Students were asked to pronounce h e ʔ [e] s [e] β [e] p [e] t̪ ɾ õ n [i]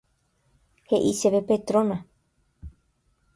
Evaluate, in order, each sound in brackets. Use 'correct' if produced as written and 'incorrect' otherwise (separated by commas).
incorrect, correct, correct, correct, incorrect